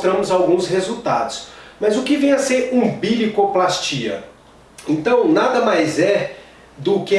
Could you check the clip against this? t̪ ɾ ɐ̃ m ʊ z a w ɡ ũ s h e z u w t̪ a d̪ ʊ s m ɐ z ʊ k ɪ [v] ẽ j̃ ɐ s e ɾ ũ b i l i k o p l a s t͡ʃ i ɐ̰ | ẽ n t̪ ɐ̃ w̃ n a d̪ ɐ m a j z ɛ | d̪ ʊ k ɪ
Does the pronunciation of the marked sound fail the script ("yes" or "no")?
no